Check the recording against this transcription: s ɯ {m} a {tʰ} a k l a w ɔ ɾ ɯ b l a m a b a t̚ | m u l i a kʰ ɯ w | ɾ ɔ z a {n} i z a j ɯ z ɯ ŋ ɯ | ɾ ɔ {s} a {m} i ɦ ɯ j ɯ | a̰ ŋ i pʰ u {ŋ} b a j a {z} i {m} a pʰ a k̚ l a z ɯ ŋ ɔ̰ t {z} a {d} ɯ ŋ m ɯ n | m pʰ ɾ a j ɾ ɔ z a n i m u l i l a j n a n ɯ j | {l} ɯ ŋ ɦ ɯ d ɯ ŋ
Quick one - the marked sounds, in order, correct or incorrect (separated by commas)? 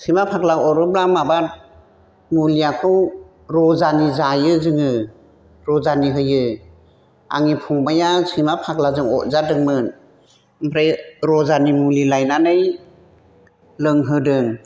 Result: correct, incorrect, correct, incorrect, incorrect, correct, incorrect, correct, correct, correct, correct